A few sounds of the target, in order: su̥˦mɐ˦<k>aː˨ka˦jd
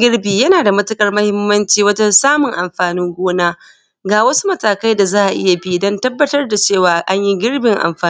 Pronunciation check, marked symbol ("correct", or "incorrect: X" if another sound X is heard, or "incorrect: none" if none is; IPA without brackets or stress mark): incorrect: t